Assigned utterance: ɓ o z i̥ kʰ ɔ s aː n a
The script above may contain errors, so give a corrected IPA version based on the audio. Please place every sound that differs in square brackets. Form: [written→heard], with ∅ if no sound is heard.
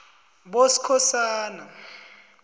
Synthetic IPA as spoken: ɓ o [z→s] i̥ kʰ ɔ s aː n a

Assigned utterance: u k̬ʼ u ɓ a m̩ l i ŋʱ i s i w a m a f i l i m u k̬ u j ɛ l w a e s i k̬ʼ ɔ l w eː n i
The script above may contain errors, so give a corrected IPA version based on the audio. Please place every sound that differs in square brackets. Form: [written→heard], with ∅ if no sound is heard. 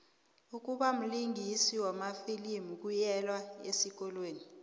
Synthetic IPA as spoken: u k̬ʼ u ɓ a m̩ l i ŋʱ i s i w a m a f i l i m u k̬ u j ɛ l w a e s i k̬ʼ ɔ l w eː n i

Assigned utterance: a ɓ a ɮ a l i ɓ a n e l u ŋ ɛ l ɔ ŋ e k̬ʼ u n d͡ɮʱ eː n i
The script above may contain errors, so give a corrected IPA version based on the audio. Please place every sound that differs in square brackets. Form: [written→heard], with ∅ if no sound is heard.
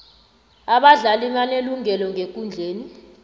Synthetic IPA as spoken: a ɓ a ɮ a l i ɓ a n e l u ŋ ɛ l ɔ ŋ e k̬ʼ u n d͡ɮʱ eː n i

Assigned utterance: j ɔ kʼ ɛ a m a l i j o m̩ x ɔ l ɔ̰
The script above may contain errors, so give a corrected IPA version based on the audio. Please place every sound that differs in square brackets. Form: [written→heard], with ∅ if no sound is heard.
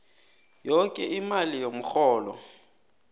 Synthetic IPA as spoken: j ɔ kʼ ɛ [a→i] m a l i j o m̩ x [ɔ→ɔː] l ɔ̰

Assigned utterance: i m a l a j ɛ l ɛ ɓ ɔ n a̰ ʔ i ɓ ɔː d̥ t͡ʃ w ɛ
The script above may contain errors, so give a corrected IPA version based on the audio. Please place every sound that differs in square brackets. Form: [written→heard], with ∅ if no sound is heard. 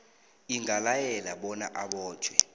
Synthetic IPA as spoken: i [m→ŋ] a l a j ɛ l [ɛ→a] ɓ ɔ n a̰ ʔ [i→a] ɓ ɔː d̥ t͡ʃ w ɛ

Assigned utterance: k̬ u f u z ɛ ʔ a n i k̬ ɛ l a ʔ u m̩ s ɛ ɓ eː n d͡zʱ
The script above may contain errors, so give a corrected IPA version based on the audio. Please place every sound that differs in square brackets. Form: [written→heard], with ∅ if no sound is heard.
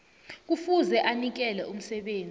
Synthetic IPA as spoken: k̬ u f u z ɛ ʔ a n i k̬ ɛ l [a→ɛ] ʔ u m̩ s ɛ ɓ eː n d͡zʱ

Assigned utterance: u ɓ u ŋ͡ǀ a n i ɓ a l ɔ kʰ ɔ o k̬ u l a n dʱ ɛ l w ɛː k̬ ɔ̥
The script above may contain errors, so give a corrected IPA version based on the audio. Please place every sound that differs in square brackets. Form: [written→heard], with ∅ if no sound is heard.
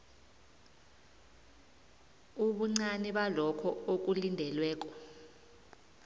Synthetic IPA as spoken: u ɓ u ŋ͡ǀ a n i ɓ a l ɔ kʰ ɔ o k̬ u l [a→i] n dʱ ɛ l w ɛː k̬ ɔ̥

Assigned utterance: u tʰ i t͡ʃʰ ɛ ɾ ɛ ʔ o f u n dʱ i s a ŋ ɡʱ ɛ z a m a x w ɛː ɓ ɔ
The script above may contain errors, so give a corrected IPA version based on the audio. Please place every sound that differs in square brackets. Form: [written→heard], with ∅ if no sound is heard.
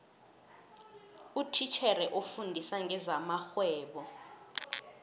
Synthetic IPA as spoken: u tʰ i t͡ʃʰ ɛ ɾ ɛ ʔ o f u n dʱ i s a ŋ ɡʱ ɛ z a m a x w ɛː ɓ ɔ

